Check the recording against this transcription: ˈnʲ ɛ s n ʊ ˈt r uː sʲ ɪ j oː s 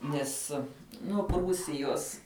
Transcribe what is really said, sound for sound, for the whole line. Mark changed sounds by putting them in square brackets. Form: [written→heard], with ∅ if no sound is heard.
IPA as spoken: ˈnʲ ɛ s n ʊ [ˈt→ˈp] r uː sʲ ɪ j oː s